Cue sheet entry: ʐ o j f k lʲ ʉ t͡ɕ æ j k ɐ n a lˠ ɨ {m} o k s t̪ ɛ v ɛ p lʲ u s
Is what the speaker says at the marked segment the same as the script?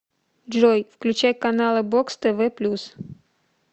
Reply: no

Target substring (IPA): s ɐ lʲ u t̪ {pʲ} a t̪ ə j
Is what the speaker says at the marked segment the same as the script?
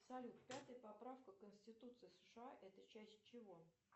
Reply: yes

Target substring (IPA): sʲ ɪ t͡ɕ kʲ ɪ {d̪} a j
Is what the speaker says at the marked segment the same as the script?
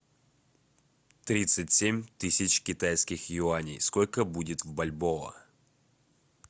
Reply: no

